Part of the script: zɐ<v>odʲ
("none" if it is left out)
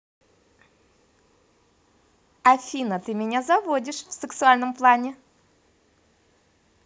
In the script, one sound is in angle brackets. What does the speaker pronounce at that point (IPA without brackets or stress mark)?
v